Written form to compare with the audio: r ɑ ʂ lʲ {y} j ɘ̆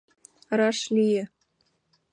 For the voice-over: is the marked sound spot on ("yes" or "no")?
no